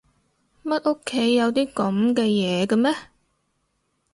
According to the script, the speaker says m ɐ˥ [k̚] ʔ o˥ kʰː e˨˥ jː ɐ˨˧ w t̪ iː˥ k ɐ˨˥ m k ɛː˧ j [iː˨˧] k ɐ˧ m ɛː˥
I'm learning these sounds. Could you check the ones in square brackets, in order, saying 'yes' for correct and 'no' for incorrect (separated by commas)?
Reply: no, no